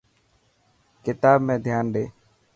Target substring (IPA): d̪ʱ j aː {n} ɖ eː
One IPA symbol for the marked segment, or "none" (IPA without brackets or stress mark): n